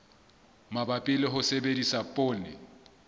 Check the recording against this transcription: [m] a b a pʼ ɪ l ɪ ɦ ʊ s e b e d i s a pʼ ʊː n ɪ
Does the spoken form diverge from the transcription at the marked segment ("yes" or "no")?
no